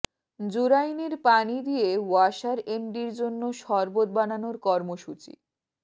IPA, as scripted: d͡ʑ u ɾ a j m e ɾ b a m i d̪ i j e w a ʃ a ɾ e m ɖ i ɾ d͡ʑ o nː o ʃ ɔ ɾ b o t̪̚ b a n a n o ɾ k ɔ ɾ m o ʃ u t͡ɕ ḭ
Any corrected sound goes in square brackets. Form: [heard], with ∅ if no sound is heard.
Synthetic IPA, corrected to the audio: d͡ʑ u ɾ a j [n] e ɾ [p] a [n] i d̪ i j e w a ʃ a ɾ e m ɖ i ɾ d͡ʑ o nː o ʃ ɔ ɾ b o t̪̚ b a n a n o ɾ k ɔ ɾ m o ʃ u t͡ɕ ḭ

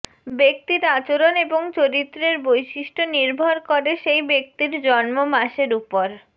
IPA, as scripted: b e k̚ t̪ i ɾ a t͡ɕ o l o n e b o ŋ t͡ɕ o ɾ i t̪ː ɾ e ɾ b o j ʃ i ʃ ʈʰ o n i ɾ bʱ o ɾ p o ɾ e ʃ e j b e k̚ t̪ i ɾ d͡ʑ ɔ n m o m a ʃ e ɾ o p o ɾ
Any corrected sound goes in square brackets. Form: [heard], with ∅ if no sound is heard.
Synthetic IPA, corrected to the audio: b e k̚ t̪ i ɾ a t͡ɕ o [ɾ] o n e b o ŋ t͡ɕ o ɾ i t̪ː ɾ e ɾ b o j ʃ i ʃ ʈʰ o n i ɾ bʱ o ɾ [k] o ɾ e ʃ e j b e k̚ t̪ i ɾ d͡ʑ ɔ n m o m a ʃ e ɾ [u] p o ɾ

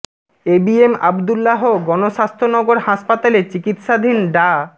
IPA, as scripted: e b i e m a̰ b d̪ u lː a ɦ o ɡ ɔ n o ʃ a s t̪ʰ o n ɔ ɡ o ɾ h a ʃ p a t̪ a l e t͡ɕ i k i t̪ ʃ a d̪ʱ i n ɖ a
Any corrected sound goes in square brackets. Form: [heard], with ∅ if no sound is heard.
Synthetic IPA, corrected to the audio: e b i e m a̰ b d̪ u lː a ɦ o ɡ ɔ n o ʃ a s t̪ʰ o n ɔ ɡ o ɾ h a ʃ p a t̪ a l e t͡ɕ i k i t̪ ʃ a d̪ʱ i n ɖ a

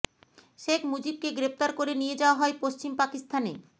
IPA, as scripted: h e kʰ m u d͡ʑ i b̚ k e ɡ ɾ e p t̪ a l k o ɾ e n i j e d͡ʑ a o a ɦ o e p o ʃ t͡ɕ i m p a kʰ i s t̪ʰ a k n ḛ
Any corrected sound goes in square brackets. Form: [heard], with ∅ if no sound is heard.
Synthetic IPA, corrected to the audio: [ʃ] e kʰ m u d͡ʑ i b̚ k e ɡ ɾ e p t̪ a [ɾ] k o ɾ e n i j e d͡ʑ a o a ɦ [ɔ] e p o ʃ t͡ɕ i m p a [k] i s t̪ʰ a [∅] n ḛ

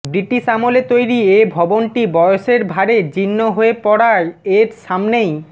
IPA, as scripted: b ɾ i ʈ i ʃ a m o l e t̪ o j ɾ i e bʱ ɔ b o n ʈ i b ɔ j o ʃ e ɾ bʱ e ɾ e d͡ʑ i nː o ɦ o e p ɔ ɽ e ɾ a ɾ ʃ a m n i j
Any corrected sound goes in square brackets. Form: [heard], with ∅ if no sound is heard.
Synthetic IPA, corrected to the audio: b ɾ i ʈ i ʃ a m o l e t̪ o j ɾ i e bʱ ɔ b o n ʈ i b ɔ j o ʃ e ɾ bʱ [a] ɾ e d͡ʑ i nː o ɦ o e p ɔ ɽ [a] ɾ [e] ɾ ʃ a m n [e] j

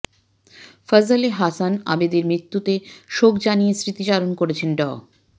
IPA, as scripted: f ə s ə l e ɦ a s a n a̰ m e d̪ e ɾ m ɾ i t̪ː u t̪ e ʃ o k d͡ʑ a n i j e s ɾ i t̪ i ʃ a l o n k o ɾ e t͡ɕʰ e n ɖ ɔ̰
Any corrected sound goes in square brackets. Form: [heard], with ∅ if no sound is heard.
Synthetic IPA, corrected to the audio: f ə [z] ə l e ɦ a s a n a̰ [b] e d̪ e ɾ m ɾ i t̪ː u t̪ e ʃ o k d͡ʑ a n i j e s ɾ i t̪ i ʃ a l o n k o ɾ e t͡ɕʰ e n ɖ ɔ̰

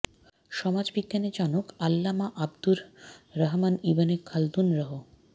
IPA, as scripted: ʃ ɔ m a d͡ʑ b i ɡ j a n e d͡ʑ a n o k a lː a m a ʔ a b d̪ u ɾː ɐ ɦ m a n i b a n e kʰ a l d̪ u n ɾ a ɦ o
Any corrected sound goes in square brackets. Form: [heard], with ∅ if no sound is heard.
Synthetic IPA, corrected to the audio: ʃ ɔ m a d͡ʑ b i ɡ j a n e d͡ʑ a n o k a lː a m a ʔ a b d̪ u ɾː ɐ ɦ m a n i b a n e kʰ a l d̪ u n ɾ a ɦ o

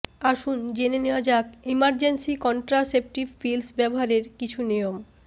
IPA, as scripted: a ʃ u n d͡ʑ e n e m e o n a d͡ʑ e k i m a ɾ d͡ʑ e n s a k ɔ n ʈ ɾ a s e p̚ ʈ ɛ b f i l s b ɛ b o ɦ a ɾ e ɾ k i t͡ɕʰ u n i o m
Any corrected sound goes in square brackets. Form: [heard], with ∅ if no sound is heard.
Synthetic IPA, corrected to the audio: a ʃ u n d͡ʑ e n e [n] e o [∅] a d͡ʑ [a] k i m a ɾ d͡ʑ e n s [i] k ɔ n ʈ ɾ a s e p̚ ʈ [i] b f i l s b ɛ b o ɦ a ɾ e ɾ k i t͡ɕʰ u n i o m

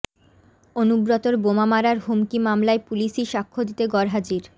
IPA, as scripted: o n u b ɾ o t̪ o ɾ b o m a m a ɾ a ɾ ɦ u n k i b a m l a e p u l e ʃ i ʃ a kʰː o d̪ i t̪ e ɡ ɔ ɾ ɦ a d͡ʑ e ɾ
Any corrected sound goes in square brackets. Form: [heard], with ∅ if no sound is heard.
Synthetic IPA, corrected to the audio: o n u b ɾ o t̪ o ɾ b o m a m a ɾ a ɾ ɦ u [m] k i [m] a m l a e p u l [i] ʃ i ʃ a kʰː o d̪ i t̪ e ɡ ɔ ɾ ɦ a d͡ʑ [i] ɾ

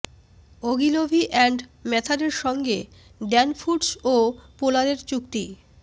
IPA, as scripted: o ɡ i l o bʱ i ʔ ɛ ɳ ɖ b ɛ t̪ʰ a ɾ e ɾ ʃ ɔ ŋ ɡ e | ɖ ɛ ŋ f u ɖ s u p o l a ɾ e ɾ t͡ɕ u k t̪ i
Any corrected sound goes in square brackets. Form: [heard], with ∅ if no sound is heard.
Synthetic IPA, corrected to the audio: o ɡ i l o bʱ i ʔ ɛ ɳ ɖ [m] ɛ t̪ʰ a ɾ e ɾ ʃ ɔ ŋ ɡ e | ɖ ɛ [n] f u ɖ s [o] p o l a ɾ e ɾ t͡ɕ u k t̪ i

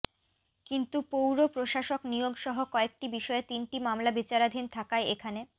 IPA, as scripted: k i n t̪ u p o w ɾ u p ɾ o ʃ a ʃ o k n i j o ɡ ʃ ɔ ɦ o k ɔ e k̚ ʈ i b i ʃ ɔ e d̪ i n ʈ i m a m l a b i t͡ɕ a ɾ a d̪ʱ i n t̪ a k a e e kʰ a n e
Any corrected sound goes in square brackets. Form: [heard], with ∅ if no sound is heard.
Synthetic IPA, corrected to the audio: k i n t̪ u p o w ɾ [o] p ɾ o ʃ a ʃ o k n i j o ɡ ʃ ɔ ɦ o k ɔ e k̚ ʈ i b i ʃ ɔ e [t̪] i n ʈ i m a m l a b i t͡ɕ a ɾ a d̪ʱ i n [t̪ʰ] a k a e e kʰ a n e

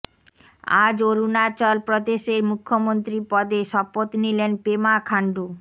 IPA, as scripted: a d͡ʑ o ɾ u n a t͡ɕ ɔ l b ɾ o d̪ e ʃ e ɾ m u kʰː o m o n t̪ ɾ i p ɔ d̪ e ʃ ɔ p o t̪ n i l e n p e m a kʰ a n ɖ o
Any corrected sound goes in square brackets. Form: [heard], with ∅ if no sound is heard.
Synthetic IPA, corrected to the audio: a d͡ʑ o ɾ u n a t͡ɕ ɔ l [p] ɾ o d̪ e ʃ e ɾ m u kʰː o m o n t̪ ɾ i p ɔ d̪ e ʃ ɔ p o t̪ n i l e n p e m a kʰ a [ɳ] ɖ [u]

